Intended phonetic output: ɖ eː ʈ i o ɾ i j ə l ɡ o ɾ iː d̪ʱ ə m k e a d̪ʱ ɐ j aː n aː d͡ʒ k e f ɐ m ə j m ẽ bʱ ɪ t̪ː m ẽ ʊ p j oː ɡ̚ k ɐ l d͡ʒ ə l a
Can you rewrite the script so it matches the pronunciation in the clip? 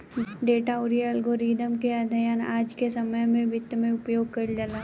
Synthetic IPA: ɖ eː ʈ a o ɾ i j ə l ɡ o ɾ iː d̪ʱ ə m k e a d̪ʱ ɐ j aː n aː d͡ʒ k e s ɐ m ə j m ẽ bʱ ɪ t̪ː m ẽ ʊ p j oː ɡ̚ k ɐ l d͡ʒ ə l a